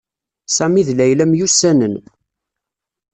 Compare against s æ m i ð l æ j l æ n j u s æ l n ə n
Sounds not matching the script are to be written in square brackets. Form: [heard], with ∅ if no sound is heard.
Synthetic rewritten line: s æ m i ð l æ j l æ [m] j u s æ [∅] n ə n